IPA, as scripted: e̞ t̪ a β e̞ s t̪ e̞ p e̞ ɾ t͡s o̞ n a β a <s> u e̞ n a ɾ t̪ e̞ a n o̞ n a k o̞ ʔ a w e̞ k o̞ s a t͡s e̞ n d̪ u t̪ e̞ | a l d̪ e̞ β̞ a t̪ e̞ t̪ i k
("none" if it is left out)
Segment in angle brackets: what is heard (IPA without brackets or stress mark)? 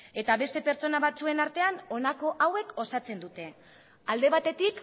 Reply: t͡s